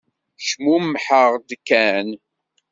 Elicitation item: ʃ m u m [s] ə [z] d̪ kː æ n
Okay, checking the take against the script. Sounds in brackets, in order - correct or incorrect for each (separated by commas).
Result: incorrect, incorrect